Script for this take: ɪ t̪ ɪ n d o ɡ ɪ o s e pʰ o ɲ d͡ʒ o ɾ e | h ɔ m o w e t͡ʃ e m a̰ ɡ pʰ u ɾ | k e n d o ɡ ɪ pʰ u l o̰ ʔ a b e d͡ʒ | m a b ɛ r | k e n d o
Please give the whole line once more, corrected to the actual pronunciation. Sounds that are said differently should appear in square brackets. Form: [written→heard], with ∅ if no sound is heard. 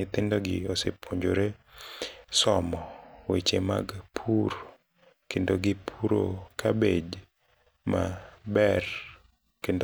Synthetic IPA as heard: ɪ t̪ ɪ n d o ɡ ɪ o s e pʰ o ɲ d͡ʒ o ɾ e | [h→s] ɔ m [o→ɔ] w e t͡ʃ e m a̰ ɡ pʰ u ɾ | k e n d o ɡ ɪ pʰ u [l→ɾ] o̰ [ʔ→k] a b e d͡ʒ | m a b ɛ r | k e n d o